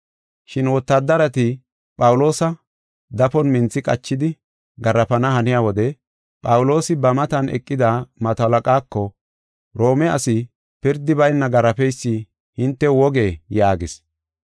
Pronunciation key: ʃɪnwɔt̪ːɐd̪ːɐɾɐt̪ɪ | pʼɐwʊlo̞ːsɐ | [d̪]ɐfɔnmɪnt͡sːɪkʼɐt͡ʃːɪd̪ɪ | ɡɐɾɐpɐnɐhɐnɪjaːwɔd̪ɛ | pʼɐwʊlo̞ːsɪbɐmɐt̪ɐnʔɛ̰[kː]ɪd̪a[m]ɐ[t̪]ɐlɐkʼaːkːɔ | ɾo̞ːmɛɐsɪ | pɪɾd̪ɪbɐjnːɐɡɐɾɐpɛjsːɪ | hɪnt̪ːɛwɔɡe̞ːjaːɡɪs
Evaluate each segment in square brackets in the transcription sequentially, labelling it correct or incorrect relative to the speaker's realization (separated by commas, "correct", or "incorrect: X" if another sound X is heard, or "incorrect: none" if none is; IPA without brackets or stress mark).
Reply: correct, incorrect: kʼː, correct, correct